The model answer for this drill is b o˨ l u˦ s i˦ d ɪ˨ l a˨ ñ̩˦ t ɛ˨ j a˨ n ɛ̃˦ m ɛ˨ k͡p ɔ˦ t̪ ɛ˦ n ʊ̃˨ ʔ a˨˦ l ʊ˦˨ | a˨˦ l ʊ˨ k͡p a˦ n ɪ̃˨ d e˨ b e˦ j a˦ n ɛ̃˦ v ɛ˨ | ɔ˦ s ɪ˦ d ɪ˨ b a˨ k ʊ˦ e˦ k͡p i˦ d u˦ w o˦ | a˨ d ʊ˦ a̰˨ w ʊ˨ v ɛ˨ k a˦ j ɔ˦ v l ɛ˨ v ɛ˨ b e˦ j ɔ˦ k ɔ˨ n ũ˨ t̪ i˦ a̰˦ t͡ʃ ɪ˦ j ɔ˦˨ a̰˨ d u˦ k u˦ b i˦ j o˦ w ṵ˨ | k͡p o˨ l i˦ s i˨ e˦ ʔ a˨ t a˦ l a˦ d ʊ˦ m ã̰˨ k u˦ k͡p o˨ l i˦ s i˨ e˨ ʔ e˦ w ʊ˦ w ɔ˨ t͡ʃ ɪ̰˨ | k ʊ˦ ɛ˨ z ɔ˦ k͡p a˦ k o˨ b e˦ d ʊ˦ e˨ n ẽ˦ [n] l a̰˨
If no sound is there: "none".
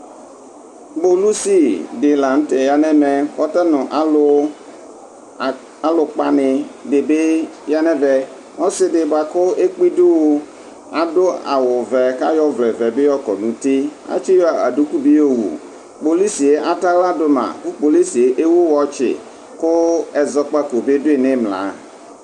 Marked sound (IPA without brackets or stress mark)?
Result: m